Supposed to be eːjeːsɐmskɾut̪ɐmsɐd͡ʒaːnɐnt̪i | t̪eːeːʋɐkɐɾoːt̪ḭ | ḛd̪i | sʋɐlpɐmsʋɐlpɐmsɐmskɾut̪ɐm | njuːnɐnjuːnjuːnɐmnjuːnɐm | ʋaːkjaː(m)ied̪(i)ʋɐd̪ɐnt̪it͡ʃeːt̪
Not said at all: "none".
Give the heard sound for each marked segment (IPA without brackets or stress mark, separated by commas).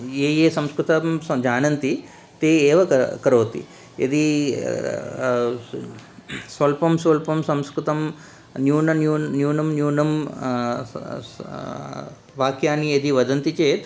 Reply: n, i